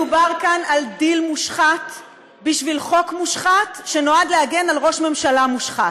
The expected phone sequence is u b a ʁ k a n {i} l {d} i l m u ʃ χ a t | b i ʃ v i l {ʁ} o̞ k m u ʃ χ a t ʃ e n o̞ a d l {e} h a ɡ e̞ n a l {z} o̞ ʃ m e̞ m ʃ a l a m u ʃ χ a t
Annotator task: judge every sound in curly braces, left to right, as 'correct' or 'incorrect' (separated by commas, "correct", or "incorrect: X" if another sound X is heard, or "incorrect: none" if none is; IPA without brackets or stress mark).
incorrect: a, correct, incorrect: χ, correct, incorrect: ʁ